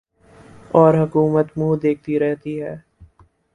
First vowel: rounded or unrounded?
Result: rounded